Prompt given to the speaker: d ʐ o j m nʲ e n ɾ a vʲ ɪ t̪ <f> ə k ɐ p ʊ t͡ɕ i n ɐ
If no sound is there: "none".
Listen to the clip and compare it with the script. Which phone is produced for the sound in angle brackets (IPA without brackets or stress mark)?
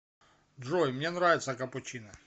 s